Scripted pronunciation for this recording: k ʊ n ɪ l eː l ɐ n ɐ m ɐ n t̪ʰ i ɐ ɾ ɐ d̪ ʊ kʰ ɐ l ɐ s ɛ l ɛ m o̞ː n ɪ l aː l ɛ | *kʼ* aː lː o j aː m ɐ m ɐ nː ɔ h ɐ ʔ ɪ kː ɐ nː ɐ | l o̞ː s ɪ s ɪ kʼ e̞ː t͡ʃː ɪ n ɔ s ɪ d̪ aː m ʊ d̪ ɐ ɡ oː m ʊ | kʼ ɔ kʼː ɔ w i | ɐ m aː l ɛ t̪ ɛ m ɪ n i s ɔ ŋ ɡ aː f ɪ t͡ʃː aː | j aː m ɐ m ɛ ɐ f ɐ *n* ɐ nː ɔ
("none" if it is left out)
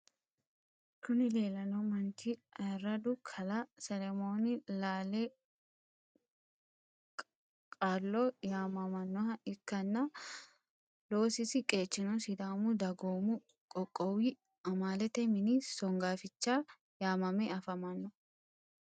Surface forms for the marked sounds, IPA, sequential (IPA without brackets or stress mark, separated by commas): kʼ, m